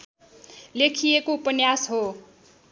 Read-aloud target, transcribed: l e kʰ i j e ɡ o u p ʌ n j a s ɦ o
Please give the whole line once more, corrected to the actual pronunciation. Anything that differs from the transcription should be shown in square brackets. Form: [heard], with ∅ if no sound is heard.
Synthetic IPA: l e kʰ i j e [k] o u p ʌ n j a s ɦ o